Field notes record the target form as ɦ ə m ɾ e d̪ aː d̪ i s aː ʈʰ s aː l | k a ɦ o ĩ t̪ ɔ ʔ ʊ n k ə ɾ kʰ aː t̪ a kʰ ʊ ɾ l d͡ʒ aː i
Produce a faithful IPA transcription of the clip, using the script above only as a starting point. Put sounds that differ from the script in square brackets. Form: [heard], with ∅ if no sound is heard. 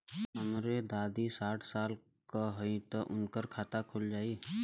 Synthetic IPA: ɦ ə m ɾ e d̪ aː d̪ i s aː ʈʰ s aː l | k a ɦ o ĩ t̪ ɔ ʔ ʊ n k ə ɾ kʰ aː t̪ a kʰ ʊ [∅] l d͡ʒ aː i